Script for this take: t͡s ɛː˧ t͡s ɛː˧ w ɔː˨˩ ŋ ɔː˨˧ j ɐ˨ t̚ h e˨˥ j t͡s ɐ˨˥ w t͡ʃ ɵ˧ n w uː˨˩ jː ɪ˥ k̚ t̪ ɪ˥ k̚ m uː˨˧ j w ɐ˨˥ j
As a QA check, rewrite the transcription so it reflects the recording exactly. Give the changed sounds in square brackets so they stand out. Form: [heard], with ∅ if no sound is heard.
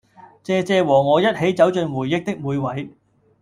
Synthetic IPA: t͡s ɛː˧ t͡s ɛː˧ w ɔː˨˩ ŋ ɔː˨˧ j [ɐ˥] t̚ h e˨˥ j t͡s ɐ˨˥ w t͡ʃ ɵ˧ n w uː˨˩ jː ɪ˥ k̚ t̪ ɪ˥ k̚ m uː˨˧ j w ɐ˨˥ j

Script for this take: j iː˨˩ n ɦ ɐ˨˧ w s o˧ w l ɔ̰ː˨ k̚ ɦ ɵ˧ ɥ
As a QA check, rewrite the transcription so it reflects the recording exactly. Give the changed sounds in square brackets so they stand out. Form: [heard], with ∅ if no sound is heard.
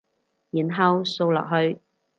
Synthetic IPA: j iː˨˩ n ɦ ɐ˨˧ w s o˧ w l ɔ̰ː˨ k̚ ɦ ɵ˧ ɥ

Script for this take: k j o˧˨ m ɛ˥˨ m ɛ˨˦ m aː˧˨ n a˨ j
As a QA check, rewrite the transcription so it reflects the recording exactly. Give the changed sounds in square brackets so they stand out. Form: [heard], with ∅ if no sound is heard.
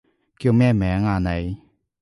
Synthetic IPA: k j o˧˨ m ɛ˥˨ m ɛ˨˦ [ŋ] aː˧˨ n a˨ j

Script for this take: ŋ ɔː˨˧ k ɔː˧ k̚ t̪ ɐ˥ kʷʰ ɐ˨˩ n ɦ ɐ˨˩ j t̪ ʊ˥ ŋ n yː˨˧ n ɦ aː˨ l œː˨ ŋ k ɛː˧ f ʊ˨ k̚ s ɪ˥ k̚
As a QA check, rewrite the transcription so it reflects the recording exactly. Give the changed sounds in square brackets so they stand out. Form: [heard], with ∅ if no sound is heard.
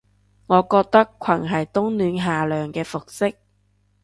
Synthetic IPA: ŋ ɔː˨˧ k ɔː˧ k̚ t̪ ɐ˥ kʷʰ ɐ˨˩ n ɦ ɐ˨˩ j t̪ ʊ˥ ŋ n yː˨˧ n ɦ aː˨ l œː˨ ŋ k ɛː˧ f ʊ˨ k̚ s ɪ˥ k̚

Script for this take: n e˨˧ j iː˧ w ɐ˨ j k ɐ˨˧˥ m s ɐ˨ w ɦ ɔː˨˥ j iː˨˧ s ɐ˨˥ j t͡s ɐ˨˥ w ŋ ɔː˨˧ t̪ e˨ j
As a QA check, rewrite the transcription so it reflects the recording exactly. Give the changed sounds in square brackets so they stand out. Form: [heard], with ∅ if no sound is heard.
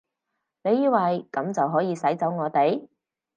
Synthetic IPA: n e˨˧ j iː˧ w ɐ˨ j k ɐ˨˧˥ m [t͡s] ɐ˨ w ɦ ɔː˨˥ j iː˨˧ s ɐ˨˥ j t͡s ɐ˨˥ w ŋ ɔː˨˧ t̪ e˨ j

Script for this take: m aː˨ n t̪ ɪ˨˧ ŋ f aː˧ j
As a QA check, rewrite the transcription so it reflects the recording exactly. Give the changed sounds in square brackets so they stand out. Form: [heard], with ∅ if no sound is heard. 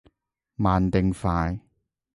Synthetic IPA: m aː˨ n t̪ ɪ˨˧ ŋ f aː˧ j

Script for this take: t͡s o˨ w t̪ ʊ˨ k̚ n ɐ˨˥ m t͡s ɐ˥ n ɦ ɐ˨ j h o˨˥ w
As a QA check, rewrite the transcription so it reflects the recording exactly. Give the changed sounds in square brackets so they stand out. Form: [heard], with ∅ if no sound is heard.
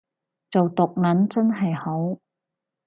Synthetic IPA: t͡s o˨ w t̪ ʊ˨ k̚ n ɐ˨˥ [n] t͡s ɐ˥ n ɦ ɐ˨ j h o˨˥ w

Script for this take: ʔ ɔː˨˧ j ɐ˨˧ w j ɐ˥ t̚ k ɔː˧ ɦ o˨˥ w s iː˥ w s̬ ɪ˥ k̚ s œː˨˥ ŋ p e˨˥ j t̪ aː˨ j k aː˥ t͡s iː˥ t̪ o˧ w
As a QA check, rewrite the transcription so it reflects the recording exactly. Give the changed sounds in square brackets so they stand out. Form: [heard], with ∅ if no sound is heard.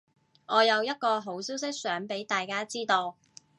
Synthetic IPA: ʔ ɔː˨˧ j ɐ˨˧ w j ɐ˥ t̚ k ɔː˧ ɦ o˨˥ w s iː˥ w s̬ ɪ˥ k̚ s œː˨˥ ŋ p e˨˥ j t̪ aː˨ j k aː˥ t͡s iː˥ t̪ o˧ w

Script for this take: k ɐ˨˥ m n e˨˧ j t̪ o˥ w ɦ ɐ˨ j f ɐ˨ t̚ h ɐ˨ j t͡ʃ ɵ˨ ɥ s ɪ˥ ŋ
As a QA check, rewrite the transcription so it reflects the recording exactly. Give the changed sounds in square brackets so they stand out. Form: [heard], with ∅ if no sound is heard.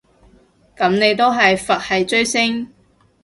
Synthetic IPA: k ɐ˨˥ m n e˨˧ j t̪ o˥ w ɦ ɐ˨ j f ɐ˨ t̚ h ɐ˨ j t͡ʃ [ɵ˥] ɥ s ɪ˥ ŋ

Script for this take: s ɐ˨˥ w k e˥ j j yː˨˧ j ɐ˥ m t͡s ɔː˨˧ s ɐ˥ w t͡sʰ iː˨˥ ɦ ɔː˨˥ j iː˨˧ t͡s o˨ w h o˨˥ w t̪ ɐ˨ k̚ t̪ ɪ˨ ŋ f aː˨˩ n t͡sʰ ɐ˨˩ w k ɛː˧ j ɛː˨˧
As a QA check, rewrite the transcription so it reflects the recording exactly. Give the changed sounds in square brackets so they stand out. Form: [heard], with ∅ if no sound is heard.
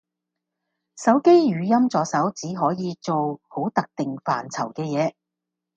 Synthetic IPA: s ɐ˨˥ w k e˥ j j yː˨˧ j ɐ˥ m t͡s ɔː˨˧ s [ɐ˨˥] w [t͡s] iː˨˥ ɦ ɔː˨˥ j iː˨˧ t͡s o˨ w h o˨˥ w t̪ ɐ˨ k̚ t̪ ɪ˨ ŋ f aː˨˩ n t͡sʰ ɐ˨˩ w k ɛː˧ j ɛː˨˧

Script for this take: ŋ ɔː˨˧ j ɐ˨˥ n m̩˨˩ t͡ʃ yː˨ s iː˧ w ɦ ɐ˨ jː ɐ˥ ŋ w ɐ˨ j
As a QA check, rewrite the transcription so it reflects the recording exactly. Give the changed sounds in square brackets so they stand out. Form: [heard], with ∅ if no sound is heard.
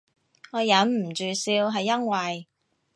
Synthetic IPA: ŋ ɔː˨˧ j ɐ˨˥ n m̩˨˩ t͡ʃ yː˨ s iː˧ w ɦ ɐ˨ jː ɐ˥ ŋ w ɐ˨ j

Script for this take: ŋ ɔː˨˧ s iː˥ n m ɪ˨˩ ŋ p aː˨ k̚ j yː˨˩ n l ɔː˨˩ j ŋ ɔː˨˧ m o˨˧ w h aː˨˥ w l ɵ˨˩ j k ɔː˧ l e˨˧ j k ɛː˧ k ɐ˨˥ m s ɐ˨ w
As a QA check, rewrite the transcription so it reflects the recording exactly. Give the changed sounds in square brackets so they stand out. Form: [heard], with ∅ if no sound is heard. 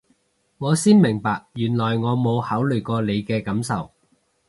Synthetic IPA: ŋ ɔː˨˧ s iː˥ n m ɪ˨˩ ŋ p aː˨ k̚ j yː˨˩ n l ɔː˨˩ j ŋ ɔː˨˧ m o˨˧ w h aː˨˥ w l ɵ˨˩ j k ɔː˧ l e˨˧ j k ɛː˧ k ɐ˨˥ m s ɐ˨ w

